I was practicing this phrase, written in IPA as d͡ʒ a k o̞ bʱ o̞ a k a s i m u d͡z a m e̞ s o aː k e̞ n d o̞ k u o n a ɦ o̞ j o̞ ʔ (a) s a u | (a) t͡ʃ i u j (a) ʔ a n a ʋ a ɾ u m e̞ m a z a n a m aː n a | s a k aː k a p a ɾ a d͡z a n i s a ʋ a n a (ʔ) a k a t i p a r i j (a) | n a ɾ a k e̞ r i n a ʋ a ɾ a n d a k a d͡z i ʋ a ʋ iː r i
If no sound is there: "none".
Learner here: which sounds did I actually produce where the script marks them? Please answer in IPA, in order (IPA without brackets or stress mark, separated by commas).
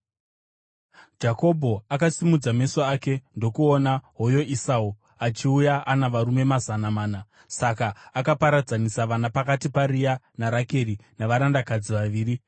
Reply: i, a, a, p, a